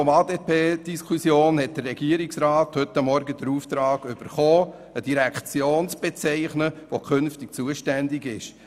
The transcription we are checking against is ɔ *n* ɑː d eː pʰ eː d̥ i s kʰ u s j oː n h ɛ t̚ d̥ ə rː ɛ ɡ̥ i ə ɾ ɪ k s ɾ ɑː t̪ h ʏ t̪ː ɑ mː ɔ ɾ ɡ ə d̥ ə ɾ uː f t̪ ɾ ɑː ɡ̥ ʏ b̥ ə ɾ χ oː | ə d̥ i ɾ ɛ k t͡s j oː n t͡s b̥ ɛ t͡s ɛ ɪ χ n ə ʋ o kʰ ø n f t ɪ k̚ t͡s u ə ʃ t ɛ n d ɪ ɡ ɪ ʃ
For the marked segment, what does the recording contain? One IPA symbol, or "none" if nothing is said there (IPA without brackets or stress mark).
m